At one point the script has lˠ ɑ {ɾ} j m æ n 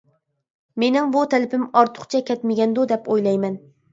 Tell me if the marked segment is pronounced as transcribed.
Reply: no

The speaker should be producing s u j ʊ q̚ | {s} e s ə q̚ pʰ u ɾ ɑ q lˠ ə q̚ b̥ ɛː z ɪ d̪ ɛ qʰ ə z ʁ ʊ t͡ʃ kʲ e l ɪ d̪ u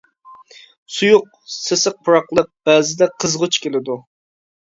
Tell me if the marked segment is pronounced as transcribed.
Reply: yes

